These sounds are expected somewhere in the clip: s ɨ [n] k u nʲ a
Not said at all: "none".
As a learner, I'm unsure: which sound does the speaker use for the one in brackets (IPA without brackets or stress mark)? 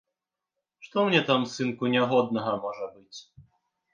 n